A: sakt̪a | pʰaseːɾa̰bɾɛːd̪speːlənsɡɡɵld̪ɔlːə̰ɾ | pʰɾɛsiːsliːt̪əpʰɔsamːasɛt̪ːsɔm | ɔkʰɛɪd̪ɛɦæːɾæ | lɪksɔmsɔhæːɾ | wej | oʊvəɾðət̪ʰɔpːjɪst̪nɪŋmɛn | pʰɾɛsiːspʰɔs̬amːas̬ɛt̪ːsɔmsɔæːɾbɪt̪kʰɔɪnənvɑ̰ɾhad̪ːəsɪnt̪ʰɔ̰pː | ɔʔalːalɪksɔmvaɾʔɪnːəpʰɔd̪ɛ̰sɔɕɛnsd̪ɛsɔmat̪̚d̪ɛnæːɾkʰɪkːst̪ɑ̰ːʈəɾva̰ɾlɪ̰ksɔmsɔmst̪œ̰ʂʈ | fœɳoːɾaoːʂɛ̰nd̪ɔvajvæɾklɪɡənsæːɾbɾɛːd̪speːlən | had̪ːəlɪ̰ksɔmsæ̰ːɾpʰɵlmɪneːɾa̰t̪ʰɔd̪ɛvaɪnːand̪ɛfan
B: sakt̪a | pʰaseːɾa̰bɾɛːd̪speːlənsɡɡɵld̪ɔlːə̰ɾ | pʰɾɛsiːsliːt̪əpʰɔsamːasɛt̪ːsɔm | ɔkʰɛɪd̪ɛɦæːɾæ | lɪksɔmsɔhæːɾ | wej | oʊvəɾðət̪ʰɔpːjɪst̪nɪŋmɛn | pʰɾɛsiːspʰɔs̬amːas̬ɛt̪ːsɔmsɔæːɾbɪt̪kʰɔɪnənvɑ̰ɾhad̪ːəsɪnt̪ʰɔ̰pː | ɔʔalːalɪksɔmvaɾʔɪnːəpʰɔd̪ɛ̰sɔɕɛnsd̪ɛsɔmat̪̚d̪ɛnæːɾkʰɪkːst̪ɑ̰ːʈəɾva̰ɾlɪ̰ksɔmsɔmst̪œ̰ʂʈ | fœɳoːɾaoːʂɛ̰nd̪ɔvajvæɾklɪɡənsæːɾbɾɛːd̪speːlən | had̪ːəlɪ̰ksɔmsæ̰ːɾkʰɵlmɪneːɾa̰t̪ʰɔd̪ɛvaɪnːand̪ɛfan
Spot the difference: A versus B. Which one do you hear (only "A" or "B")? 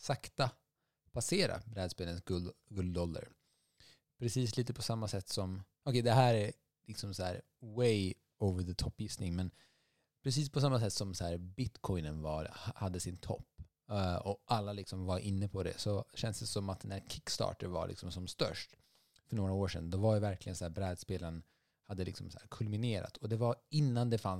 B